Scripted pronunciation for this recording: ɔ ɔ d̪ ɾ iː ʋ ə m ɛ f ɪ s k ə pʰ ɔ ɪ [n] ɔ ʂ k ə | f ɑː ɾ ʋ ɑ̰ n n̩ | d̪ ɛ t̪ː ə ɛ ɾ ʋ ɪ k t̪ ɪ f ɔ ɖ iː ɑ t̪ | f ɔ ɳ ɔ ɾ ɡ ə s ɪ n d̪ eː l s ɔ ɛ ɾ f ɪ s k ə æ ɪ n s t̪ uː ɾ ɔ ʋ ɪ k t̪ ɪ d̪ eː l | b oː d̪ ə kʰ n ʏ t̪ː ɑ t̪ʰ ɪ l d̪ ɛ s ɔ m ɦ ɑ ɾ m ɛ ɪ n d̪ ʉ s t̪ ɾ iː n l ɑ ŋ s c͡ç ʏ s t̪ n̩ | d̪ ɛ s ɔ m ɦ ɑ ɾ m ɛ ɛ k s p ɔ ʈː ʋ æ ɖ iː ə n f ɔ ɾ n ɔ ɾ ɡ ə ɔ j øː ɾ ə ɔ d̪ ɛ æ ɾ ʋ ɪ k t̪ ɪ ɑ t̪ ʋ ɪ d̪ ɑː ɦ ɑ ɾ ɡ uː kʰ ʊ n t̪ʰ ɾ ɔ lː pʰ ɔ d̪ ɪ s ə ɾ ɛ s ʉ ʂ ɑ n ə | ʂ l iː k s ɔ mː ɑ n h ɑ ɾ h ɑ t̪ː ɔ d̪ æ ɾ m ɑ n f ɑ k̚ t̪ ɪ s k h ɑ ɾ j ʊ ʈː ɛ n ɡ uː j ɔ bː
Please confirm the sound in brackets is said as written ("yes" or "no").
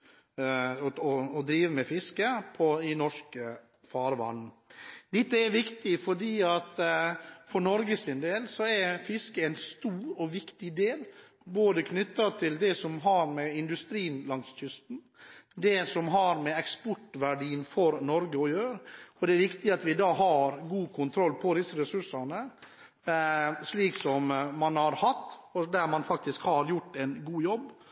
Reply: yes